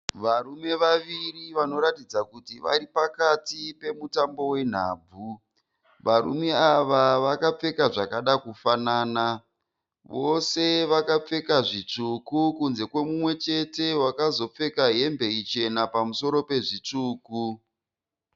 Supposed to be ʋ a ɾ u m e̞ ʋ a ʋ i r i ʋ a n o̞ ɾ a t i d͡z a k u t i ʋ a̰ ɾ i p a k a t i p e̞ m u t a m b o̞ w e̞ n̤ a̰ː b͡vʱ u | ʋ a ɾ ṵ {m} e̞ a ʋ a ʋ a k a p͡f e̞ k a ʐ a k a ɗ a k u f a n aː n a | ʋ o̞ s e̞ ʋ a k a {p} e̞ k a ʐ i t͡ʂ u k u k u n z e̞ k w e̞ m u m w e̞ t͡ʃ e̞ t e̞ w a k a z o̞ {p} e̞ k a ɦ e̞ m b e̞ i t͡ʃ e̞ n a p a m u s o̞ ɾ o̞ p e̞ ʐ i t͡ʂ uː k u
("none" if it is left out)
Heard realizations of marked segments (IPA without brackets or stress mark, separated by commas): m, p͡f, p͡f